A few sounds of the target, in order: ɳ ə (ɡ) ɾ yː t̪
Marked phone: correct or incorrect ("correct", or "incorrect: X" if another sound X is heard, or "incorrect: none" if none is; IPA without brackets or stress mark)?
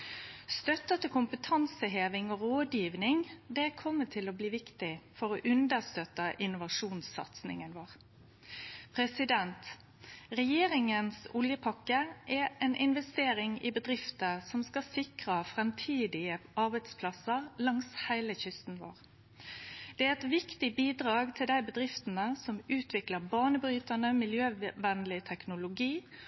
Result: incorrect: b